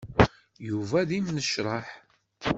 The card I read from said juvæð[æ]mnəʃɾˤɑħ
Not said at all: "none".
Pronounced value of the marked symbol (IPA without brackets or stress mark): i